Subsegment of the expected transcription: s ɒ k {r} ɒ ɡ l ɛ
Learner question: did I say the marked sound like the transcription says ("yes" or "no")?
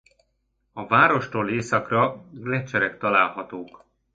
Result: yes